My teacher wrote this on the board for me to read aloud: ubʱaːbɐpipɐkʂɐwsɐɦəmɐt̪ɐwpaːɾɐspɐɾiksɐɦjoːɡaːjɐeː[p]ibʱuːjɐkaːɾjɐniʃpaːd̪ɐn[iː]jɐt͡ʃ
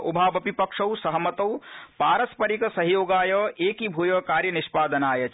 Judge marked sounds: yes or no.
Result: no, no

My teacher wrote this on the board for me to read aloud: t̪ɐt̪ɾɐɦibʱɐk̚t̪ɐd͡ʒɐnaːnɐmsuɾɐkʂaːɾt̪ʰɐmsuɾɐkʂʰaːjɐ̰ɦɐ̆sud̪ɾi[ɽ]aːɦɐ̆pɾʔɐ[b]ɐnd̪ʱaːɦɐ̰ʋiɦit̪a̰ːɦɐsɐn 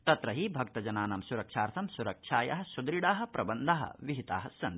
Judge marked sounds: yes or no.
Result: yes, yes

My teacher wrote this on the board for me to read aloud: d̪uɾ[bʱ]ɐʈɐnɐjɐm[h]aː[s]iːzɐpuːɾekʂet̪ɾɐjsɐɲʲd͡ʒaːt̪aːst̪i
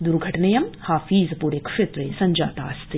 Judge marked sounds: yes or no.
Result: no, yes, no

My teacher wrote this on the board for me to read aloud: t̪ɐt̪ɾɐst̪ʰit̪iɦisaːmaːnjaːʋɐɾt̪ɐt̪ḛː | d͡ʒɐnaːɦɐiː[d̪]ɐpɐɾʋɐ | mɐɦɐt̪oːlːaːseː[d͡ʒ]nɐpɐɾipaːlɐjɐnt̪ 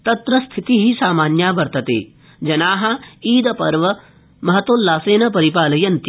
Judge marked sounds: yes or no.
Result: yes, no

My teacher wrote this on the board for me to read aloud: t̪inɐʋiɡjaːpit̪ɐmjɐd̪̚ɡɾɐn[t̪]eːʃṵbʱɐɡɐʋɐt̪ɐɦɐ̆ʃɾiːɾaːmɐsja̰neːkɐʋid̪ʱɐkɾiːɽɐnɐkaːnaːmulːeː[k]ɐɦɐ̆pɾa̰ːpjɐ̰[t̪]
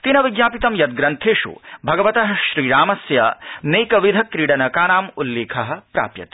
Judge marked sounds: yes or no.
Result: no, no, yes

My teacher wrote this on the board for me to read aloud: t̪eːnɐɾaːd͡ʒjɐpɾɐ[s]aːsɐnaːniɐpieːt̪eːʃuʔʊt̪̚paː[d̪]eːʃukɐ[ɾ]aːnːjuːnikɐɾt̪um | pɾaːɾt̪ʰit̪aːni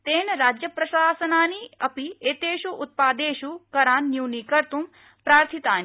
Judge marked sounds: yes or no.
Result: no, yes, yes

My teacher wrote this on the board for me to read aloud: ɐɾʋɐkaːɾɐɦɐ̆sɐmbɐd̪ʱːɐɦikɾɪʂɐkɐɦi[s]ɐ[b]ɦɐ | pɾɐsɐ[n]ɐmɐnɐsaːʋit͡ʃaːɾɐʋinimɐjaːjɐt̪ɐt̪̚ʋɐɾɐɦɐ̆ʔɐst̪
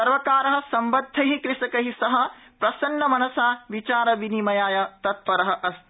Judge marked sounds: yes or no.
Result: yes, no, no

